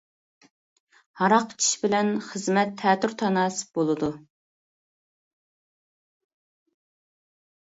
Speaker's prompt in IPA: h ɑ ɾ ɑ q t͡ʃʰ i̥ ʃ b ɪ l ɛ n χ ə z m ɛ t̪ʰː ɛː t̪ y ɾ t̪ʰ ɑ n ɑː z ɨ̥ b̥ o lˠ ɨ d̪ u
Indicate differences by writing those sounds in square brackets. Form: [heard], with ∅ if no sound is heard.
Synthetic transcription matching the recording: h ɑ ɾ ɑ q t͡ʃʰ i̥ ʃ b ɪ l ɛ n χ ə z m ɛ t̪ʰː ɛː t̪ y ɾ t̪ʰ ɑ n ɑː [s] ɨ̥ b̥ o lˠ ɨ d̪ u